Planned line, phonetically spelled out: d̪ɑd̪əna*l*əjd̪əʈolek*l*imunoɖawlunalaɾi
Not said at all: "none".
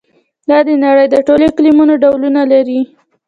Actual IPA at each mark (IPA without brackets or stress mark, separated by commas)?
ɽ, l